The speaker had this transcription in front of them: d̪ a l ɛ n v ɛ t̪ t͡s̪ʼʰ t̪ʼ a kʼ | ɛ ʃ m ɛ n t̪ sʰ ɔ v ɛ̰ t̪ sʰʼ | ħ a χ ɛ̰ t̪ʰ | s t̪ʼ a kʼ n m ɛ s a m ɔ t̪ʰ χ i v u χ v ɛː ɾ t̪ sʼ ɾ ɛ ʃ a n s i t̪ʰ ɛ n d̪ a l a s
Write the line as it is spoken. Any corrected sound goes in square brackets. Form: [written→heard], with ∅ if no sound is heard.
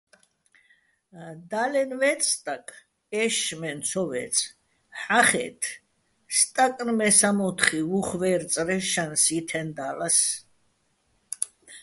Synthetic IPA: d̪ a l ɛ n v ɛ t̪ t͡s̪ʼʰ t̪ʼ a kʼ | ɛ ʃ m ɛ n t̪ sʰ ɔ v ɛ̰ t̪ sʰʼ | ħ a χ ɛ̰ t̪ʰ | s t̪ʼ a kʼ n m ɛ s a m ɔ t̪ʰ χ i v u χ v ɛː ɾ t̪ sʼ ɾ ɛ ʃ a n s i t̪ʰ ɛ n d̪ a l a s